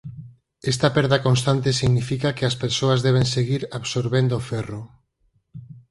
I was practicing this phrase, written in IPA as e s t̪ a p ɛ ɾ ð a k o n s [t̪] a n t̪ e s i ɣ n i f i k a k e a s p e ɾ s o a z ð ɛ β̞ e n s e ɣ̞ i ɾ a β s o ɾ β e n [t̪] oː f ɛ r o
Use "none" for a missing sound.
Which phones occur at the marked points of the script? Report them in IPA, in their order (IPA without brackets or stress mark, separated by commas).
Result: t̪, d̪